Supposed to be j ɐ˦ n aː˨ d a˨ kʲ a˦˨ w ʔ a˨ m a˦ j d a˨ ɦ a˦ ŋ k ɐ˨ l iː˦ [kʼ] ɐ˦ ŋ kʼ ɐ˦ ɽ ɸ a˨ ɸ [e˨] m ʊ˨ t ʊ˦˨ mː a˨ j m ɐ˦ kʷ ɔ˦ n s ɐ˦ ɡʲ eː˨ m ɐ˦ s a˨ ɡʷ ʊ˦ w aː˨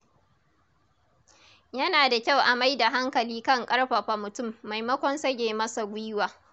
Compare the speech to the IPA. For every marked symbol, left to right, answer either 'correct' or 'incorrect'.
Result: incorrect: k, incorrect: a˨

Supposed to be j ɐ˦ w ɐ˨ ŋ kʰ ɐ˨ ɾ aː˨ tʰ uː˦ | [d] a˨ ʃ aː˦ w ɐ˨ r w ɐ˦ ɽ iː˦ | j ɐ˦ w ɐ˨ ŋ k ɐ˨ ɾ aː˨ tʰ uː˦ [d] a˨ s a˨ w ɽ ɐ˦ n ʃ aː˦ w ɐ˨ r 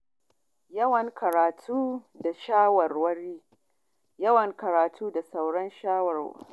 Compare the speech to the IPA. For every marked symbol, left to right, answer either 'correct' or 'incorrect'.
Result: correct, correct

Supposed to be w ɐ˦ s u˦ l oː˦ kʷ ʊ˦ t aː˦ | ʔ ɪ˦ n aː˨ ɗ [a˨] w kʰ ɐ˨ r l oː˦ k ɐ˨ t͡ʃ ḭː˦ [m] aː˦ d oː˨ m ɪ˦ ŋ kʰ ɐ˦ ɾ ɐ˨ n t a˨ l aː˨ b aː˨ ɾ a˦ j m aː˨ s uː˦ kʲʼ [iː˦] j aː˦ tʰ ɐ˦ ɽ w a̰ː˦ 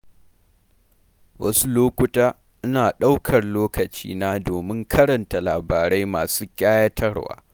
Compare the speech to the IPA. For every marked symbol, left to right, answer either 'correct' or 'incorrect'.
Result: incorrect: a˦, incorrect: n, incorrect: aː˦

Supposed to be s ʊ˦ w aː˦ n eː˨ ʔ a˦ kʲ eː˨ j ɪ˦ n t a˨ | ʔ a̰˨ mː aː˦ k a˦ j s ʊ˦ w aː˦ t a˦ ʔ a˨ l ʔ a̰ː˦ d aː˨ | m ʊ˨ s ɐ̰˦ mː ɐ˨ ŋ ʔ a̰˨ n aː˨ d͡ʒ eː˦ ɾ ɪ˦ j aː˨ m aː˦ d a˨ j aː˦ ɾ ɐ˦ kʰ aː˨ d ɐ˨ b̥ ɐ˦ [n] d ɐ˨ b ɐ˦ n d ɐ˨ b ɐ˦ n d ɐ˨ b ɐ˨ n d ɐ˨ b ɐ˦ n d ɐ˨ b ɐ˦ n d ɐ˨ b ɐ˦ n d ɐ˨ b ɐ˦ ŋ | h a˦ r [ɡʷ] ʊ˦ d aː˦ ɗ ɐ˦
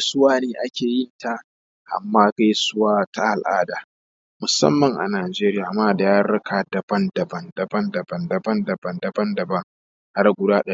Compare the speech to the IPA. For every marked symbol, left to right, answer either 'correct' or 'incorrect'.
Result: correct, correct

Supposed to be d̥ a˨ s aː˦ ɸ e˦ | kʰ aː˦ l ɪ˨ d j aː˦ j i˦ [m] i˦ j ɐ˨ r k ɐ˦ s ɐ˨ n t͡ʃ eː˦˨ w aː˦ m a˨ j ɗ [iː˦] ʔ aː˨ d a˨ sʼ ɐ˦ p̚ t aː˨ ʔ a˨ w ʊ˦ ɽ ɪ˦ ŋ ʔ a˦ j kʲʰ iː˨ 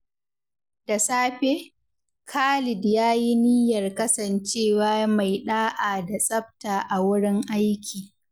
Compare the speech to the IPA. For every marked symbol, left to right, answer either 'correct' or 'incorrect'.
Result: incorrect: n, incorrect: aː˦

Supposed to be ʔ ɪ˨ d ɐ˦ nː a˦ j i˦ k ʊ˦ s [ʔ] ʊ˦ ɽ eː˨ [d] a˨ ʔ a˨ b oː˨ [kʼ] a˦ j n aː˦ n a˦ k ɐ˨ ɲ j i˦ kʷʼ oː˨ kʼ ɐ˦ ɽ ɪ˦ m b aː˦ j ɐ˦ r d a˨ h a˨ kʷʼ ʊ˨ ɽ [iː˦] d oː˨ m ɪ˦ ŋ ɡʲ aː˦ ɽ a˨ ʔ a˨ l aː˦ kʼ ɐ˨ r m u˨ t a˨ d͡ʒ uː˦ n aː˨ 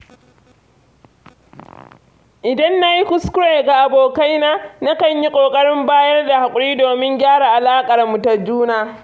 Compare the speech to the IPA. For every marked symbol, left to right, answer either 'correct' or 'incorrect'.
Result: incorrect: k, incorrect: ɡ, incorrect: k, correct

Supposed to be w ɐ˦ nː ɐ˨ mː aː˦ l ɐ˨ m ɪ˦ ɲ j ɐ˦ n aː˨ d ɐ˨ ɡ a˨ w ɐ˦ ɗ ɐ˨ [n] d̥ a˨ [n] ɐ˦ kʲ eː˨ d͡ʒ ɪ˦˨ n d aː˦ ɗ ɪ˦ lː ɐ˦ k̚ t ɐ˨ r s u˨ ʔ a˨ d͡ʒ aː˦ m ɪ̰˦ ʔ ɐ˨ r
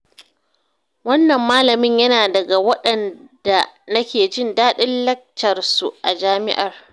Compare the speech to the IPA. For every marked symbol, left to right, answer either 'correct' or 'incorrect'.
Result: correct, correct

